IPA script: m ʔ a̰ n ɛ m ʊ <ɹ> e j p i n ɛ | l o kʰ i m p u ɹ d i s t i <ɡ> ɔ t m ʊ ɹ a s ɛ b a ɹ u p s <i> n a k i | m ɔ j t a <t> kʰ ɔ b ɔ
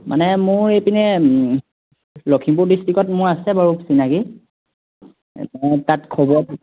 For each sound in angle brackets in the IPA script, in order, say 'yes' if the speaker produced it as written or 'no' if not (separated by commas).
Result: yes, no, yes, yes